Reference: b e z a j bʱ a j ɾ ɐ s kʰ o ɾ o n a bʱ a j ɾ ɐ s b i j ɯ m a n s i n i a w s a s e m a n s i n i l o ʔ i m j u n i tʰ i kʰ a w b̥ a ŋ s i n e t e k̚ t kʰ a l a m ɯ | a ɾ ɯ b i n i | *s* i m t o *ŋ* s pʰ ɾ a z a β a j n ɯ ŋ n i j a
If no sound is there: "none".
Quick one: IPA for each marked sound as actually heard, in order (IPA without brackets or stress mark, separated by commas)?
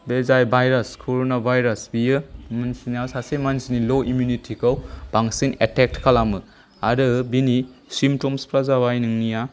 s, m